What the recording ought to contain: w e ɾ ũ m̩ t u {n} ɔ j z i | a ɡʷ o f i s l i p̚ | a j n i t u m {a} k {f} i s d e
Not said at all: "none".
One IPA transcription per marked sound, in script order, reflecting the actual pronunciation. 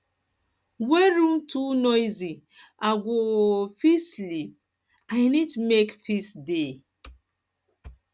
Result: n, e, f

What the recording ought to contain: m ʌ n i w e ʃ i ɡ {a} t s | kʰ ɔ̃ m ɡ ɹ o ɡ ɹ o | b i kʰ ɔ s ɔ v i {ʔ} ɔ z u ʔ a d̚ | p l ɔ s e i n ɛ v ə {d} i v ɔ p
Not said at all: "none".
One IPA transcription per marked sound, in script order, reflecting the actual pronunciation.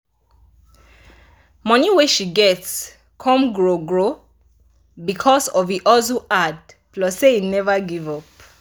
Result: ɛ, ʔ, ɡ

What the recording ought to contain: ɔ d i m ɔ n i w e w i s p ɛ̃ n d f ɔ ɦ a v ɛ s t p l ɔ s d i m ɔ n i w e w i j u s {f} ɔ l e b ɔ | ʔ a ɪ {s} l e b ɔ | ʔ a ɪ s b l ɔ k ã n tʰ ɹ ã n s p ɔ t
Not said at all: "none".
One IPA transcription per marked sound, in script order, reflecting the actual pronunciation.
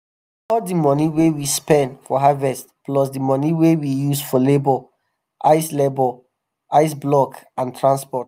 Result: f, s

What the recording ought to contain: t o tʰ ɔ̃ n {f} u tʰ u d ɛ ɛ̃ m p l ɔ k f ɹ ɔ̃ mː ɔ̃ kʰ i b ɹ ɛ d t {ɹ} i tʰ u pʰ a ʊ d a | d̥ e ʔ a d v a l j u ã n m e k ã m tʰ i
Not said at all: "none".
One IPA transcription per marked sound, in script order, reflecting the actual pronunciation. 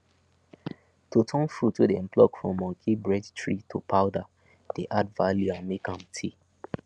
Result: f, ɹ

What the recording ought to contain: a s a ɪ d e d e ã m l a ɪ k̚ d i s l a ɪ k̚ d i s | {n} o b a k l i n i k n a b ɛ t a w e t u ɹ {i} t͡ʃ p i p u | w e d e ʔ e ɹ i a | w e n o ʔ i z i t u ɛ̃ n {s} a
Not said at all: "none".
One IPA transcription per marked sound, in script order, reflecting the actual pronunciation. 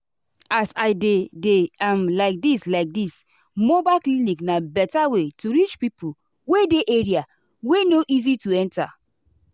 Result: m, i, t

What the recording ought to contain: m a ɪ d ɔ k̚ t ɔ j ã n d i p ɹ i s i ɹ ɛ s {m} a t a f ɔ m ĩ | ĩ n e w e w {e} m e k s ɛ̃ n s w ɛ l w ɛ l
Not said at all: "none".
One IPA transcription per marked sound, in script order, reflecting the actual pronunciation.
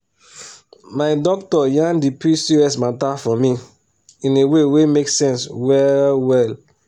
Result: m, e

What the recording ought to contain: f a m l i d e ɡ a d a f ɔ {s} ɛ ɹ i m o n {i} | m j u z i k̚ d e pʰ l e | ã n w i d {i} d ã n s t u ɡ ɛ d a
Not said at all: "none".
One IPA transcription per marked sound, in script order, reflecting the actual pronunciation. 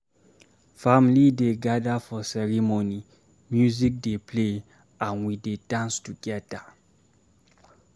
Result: s, i, e

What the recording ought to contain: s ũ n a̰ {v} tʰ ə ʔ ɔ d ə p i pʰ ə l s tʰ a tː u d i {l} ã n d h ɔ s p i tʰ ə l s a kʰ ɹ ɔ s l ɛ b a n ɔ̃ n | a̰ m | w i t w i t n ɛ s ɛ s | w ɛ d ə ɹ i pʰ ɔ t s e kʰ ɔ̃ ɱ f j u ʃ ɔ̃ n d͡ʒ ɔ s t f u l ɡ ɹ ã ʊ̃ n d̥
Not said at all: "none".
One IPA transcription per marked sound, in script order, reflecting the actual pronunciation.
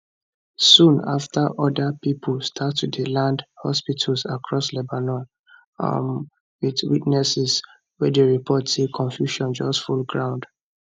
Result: f, l

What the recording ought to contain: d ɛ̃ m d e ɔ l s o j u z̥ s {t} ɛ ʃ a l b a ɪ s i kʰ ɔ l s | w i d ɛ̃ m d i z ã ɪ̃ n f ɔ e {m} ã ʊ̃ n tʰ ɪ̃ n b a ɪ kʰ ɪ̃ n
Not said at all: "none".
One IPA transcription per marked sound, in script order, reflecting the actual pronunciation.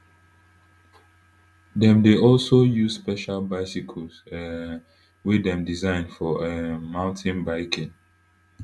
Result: p, m

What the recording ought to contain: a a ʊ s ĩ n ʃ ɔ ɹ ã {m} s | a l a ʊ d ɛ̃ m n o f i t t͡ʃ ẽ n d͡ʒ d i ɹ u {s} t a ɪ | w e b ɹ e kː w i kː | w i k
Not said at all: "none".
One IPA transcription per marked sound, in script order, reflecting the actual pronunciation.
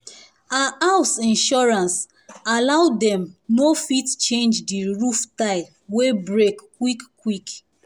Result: n, f

